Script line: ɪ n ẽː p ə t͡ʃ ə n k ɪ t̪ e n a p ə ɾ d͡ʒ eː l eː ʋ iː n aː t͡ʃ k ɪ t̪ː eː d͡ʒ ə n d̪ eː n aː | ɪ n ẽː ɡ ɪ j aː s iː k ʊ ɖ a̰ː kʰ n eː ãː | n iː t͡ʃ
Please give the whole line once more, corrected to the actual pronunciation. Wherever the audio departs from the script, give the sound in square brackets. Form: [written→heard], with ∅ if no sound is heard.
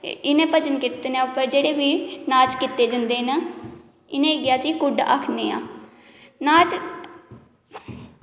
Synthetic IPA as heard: ɪ n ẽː p ə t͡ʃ ə n k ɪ t̪ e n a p ə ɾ d͡ʒ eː [l→ɽ] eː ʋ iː n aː t͡ʃ k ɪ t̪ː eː d͡ʒ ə n d̪ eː n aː | ɪ n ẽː ɡ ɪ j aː s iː k ʊ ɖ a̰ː kʰ n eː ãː | n [iː→aː] t͡ʃ